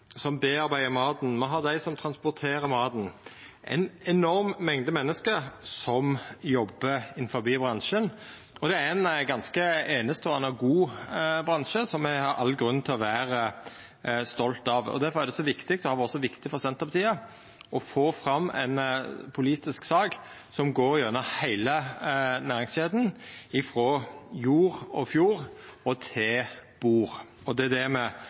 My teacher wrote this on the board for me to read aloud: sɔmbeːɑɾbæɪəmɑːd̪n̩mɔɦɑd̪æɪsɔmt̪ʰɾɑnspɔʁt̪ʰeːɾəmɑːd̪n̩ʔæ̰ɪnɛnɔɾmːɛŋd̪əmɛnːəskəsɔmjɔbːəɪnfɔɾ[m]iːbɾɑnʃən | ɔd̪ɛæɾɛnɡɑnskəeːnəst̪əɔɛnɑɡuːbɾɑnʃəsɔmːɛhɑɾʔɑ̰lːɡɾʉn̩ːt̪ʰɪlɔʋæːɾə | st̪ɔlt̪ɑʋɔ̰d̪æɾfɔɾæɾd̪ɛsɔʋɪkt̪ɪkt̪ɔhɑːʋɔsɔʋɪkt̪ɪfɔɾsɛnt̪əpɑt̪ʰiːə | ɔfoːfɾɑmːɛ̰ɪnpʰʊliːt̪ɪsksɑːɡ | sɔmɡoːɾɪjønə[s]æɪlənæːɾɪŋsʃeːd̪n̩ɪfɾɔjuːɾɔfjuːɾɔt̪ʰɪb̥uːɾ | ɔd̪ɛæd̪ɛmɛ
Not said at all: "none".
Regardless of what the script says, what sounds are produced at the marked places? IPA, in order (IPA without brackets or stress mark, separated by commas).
b, h